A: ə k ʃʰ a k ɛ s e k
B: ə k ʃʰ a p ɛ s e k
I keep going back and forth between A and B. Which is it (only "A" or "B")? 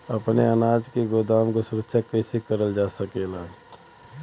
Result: A